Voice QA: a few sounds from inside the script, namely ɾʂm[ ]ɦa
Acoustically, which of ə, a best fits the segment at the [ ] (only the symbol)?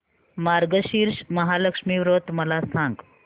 ə